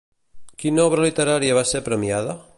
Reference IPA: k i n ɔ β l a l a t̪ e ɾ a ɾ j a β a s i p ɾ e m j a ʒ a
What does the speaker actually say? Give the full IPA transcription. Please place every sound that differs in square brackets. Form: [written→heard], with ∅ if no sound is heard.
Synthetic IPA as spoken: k i n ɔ β [l→ɾ] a l [a→i] t̪ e ɾ a ɾ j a β a s [i→e] p ɾ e m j a [ʒ→ð] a

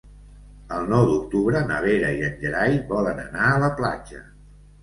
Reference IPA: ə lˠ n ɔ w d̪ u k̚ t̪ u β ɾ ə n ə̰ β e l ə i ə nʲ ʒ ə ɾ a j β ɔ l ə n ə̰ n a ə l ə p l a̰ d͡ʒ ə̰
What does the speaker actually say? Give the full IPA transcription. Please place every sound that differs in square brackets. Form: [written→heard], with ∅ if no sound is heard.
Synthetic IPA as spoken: ə lˠ n ɔ w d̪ u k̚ t̪ u β ɾ ə n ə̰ β e [l→ɾ] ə i ə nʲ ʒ ə ɾ a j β ɔ l ə n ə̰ n a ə l ə p l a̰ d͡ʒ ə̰

